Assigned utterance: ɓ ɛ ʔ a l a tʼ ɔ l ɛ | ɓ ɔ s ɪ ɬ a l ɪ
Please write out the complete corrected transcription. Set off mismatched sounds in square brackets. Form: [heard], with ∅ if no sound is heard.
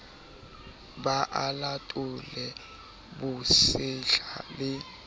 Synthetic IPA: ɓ [a] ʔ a l a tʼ [u] l ɛ | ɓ [u] s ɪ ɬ a l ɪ